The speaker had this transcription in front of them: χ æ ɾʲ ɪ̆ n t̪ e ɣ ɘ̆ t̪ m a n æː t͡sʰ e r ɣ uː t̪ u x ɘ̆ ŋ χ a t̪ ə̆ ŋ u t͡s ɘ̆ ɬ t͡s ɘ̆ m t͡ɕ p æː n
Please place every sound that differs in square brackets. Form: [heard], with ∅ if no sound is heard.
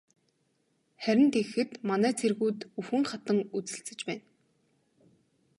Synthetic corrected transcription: χ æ ɾʲ ɪ̆ n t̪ e [x] ɘ̆ t̪ m a n æː t͡sʰ e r ɣ uː t̪ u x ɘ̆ ŋ χ a t̪ ə̆ ŋ u t͡s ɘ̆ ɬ t͡s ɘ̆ [∅] t͡ɕ p æː n